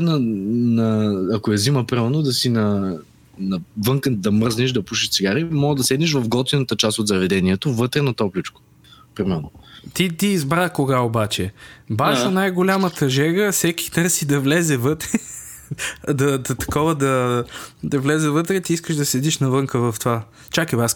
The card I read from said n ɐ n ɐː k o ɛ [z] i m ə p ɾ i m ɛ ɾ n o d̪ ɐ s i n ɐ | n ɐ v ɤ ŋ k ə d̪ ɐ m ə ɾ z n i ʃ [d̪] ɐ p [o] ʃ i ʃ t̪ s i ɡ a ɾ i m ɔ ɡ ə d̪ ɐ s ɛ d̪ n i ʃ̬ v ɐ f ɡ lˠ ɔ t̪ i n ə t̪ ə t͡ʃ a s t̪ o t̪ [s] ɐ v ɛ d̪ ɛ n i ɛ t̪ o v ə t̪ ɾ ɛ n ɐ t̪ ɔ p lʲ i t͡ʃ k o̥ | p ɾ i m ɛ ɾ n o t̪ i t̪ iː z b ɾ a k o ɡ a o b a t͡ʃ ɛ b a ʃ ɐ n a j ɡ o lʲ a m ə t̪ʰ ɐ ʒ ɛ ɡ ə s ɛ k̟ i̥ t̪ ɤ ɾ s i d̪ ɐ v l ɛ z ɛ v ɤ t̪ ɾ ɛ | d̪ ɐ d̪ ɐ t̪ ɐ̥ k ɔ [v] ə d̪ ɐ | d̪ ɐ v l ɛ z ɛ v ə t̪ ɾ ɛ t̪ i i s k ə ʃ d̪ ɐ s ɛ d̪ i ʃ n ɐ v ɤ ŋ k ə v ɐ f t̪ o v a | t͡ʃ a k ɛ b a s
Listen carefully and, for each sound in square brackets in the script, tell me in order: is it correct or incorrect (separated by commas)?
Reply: correct, correct, incorrect, incorrect, correct